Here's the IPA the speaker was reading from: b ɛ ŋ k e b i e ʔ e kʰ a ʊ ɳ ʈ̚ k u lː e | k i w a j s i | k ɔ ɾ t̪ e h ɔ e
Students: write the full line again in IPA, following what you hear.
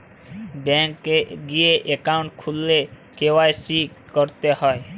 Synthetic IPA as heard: b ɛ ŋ k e ɡ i e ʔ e k a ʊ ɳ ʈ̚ kʰ u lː e | k e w a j s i | k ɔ ɾ t̪ e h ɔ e